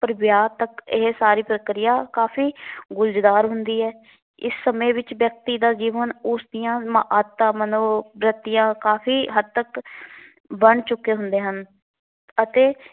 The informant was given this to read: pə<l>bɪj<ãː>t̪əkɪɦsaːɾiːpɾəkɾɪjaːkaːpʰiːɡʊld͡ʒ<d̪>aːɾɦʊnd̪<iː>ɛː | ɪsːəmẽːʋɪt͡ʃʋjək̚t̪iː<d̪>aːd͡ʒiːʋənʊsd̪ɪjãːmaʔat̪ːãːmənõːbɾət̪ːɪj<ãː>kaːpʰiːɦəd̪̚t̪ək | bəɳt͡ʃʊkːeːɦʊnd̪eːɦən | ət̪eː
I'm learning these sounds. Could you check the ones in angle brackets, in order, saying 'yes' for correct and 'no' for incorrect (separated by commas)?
no, no, yes, yes, yes, yes